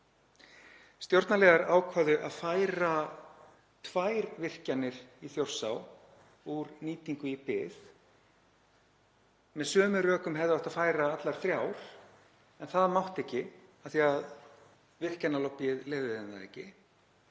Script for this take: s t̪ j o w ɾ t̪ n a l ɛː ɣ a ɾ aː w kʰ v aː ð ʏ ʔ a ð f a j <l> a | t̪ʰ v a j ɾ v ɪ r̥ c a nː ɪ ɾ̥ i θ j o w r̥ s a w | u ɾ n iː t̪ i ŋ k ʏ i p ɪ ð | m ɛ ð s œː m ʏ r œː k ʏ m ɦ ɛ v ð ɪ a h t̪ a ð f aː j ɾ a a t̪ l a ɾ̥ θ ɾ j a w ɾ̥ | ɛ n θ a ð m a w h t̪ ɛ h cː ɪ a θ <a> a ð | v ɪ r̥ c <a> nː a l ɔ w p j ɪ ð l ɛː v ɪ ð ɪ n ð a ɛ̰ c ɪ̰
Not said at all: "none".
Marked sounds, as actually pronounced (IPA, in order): ɾ, i, a

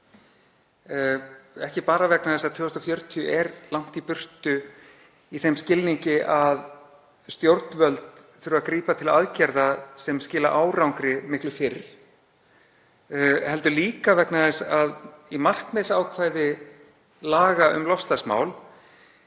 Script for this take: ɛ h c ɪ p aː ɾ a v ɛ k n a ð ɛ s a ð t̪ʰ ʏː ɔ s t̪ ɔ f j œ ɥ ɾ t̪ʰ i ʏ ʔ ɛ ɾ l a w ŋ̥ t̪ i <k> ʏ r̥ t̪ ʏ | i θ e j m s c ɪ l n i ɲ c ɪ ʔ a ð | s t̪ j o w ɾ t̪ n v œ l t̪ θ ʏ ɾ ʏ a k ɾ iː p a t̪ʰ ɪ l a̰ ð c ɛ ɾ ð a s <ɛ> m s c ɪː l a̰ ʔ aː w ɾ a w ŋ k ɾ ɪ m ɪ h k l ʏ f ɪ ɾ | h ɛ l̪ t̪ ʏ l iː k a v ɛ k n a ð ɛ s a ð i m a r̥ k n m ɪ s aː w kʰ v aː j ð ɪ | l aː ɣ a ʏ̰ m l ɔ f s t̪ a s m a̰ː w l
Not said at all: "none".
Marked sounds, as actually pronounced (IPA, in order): p, ɛ

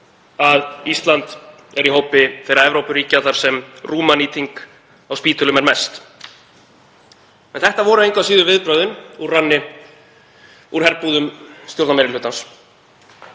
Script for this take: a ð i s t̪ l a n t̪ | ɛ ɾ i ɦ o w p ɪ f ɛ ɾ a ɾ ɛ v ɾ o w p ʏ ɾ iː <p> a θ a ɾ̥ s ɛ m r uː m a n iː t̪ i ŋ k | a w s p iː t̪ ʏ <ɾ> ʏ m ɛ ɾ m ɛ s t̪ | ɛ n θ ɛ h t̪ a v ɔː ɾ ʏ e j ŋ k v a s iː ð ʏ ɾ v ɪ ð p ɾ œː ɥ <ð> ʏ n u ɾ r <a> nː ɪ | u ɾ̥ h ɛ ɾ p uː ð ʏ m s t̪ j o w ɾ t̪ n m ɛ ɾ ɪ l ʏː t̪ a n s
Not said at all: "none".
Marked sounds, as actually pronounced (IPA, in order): c, l, ð, a

